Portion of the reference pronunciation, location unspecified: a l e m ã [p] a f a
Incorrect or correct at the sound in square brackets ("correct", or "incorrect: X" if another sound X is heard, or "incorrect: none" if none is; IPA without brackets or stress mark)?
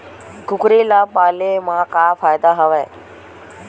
incorrect: k